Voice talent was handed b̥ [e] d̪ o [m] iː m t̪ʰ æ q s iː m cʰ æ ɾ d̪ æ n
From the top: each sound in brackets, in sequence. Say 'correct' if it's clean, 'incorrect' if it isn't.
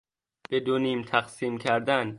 correct, incorrect: n

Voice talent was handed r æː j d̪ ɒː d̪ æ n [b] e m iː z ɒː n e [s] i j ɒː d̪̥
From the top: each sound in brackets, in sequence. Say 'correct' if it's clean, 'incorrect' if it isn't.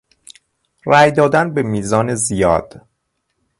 correct, incorrect: z

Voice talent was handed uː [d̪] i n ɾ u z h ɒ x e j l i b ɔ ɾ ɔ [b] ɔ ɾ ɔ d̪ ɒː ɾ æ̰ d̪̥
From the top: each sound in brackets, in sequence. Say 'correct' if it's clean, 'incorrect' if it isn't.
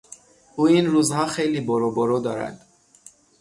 incorrect: none, correct

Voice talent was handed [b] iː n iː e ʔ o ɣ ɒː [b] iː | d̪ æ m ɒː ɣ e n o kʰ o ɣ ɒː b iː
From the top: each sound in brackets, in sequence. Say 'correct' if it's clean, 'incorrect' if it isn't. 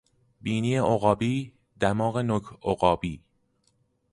correct, correct

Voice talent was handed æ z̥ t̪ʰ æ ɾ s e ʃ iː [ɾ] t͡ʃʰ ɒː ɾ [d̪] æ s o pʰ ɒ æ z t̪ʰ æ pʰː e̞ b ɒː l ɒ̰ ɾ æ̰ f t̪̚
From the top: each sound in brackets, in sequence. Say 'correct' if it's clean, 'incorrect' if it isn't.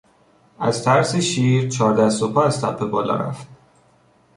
correct, correct

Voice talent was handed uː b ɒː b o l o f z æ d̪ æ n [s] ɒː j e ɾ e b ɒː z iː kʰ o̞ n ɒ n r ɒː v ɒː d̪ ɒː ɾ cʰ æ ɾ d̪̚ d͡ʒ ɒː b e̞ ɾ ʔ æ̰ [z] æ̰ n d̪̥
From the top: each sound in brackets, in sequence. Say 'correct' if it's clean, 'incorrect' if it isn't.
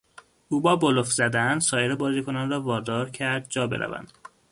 correct, incorrect: v

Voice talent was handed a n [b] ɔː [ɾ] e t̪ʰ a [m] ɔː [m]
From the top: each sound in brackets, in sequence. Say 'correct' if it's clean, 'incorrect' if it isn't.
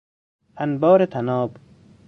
correct, correct, incorrect: n, incorrect: b

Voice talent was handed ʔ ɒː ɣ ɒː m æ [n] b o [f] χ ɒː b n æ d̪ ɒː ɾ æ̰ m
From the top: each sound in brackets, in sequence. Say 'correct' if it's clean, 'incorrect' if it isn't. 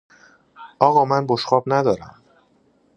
correct, incorrect: ʃ

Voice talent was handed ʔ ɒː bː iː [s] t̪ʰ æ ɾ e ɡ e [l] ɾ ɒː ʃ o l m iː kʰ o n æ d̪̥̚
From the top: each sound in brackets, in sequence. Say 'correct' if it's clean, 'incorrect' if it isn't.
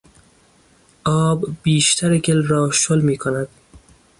incorrect: ʃ, correct

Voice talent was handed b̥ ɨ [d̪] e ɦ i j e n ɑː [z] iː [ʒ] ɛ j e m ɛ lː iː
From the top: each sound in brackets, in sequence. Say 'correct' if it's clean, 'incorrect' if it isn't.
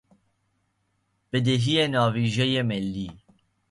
correct, incorrect: v, correct

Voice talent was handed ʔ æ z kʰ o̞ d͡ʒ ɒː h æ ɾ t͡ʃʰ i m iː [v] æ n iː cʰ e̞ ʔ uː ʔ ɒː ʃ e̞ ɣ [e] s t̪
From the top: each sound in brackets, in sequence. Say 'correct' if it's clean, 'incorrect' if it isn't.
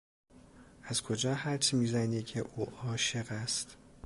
incorrect: z, incorrect: æ

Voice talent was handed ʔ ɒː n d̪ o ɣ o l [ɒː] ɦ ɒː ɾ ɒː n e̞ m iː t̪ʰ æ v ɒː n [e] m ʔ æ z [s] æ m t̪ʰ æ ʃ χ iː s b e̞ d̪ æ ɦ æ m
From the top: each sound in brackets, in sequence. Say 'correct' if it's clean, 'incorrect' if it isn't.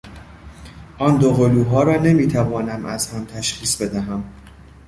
incorrect: uː, incorrect: æ, incorrect: h

